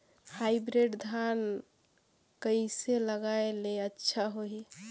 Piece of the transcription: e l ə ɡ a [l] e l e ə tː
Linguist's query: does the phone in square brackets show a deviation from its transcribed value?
yes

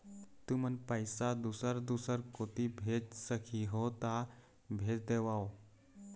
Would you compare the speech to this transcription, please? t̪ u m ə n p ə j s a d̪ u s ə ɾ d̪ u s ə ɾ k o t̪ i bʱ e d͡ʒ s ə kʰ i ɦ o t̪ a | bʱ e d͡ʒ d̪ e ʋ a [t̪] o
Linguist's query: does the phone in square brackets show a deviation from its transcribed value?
yes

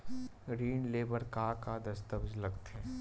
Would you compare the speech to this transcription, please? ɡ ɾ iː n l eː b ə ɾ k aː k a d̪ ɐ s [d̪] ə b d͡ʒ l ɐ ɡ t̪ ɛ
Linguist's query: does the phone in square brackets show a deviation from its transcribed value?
yes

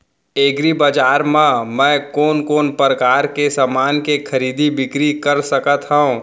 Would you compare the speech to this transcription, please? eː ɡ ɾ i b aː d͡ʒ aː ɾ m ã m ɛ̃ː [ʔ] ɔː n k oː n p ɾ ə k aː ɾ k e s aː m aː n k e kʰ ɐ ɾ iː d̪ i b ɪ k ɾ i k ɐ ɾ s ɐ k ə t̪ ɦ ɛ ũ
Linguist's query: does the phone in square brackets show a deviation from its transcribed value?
yes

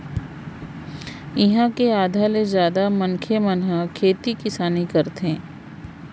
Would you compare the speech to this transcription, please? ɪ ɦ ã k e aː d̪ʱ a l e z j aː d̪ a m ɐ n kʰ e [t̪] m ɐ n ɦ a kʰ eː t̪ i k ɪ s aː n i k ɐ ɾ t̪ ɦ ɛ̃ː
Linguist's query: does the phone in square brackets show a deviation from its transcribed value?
yes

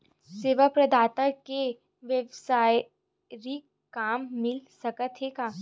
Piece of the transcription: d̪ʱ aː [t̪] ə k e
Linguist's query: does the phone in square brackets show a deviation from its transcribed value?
no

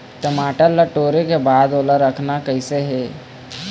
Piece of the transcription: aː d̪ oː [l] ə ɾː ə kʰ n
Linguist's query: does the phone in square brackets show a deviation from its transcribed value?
no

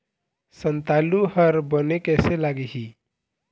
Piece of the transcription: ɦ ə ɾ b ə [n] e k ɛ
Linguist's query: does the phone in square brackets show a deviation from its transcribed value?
no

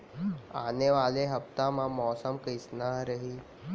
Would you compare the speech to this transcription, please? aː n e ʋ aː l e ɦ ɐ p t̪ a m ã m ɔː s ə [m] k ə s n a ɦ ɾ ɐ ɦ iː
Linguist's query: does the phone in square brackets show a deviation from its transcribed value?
no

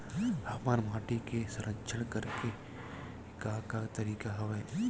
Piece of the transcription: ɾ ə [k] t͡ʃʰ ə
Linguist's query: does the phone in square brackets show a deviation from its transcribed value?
no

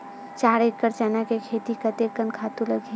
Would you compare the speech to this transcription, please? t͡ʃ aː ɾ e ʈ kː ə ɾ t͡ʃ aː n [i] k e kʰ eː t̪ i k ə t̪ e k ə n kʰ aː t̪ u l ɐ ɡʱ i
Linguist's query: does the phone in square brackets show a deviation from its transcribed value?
yes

